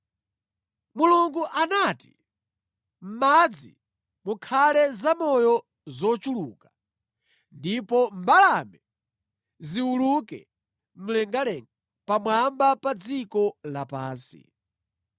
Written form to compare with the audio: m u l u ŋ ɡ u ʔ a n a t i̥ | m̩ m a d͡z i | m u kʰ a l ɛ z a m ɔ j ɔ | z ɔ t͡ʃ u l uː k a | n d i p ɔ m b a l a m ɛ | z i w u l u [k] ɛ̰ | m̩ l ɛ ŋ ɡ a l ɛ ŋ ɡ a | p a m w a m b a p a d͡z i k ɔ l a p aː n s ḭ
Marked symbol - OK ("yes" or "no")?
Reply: yes